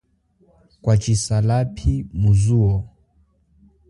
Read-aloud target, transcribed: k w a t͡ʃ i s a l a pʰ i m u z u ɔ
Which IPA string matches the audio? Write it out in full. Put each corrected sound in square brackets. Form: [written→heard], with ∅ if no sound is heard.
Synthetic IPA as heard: k w a t͡ʃ i s a l a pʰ i m u z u ɔ

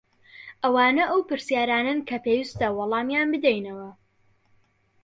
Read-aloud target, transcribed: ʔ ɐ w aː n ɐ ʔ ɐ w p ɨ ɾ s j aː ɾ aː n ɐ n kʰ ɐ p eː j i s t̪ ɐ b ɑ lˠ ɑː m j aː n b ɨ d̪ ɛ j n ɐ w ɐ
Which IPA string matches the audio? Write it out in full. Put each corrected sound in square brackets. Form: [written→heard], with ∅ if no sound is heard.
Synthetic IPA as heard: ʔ ɐ w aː n ɐ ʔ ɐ w p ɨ ɾ s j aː ɾ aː n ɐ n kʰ ɐ p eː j i s t̪ ɐ [b→w] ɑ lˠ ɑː m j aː n b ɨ d̪ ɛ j n ɐ w ɐ

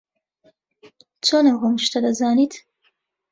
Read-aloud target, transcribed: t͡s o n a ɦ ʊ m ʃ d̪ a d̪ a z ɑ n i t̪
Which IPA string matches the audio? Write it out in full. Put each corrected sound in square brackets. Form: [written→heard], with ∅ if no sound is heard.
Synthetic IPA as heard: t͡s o n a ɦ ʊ m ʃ [d̪→t̪] a d̪ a z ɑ n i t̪

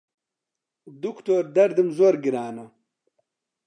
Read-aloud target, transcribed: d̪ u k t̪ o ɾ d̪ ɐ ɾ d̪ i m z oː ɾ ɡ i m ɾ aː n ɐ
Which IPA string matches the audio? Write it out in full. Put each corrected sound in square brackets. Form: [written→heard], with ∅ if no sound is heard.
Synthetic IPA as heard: d̪ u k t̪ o ɾ d̪ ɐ ɾ d̪ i m z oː ɾ ɡ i [m→∅] ɾ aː n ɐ

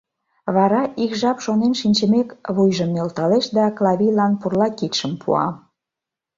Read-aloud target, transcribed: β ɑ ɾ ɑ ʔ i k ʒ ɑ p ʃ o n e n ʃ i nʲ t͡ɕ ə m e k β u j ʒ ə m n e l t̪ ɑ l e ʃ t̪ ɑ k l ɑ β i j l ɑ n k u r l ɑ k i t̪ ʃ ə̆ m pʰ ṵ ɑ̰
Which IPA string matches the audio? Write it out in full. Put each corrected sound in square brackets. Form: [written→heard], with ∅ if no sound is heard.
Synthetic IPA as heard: β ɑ ɾ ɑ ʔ i k ʒ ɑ p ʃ o n e n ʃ i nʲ t͡ɕ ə m e k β u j ʒ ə m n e l t̪ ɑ l e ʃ [t̪→d̪] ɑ k l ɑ β i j l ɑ n [k→p] u r l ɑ k i t̪ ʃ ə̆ m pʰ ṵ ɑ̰

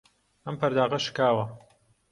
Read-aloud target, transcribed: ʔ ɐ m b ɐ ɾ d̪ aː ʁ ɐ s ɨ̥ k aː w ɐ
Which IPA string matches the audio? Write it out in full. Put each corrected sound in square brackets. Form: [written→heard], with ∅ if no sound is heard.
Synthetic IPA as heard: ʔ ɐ m [b→p] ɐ ɾ d̪ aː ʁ ɐ [s→ʃ] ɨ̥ k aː w ɐ

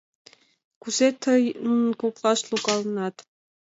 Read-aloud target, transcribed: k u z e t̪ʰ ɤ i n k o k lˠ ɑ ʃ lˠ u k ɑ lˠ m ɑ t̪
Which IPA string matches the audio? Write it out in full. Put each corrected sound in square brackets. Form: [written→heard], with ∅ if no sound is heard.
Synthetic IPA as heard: k u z e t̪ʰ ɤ [i→j] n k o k lˠ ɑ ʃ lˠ u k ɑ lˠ [m→n] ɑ t̪

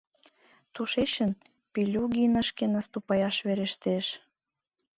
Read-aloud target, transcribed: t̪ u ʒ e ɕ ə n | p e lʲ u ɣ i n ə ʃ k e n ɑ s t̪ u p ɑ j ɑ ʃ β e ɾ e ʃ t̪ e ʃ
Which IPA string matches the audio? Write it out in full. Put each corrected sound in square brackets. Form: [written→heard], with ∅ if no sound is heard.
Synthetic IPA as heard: t̪ u [ʒ→ʃ] e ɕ ə n | p [e→i] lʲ u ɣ i n ə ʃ k e n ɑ s t̪ u p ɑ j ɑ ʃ β e ɾ e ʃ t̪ e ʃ

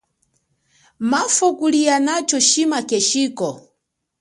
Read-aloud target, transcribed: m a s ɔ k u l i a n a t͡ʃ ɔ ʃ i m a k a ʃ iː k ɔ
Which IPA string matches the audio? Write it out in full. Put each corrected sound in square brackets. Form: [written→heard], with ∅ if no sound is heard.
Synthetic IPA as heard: m a [s→f] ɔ k u l i a n a t͡ʃ ɔ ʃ i m a k [a→ɛ] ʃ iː k ɔ

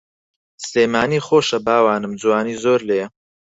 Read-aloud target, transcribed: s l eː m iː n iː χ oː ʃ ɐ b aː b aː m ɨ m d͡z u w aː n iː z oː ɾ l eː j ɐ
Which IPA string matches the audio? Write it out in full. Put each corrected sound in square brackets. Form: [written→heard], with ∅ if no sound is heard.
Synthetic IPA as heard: s l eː m [iː→aː] n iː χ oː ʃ ɐ b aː [b→w] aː [m→n] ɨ m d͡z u w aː n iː z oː ɾ l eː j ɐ

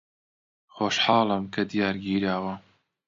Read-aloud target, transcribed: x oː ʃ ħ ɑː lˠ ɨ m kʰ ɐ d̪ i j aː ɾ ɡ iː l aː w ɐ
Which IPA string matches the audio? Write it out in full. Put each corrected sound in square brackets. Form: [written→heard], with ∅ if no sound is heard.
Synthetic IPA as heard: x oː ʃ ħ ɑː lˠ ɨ m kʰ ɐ d̪ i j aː ɾ ɡ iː [l→ɾ] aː w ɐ

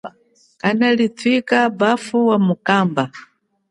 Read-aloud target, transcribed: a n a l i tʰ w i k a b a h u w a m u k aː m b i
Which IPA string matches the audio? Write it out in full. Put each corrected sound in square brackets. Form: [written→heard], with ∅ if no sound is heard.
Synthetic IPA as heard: a n a l i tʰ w i k a b a [h→f] u w a m u k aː m b [i→a]

